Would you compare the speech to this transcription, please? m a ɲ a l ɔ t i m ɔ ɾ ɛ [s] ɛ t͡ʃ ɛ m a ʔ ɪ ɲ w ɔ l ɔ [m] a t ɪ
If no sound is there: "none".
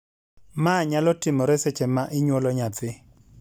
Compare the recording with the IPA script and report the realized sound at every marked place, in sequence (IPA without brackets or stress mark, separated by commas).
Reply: s, ɲ